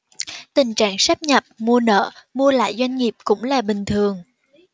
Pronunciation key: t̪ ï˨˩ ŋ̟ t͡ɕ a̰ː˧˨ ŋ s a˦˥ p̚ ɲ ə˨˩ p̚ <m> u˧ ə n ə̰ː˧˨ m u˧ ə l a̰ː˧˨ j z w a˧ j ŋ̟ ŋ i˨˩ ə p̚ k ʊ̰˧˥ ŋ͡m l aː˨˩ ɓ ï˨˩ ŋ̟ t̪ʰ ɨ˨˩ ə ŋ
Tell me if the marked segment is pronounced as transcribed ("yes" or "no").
yes